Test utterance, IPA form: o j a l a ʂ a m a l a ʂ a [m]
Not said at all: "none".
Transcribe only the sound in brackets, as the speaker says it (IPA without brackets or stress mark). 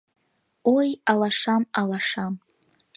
m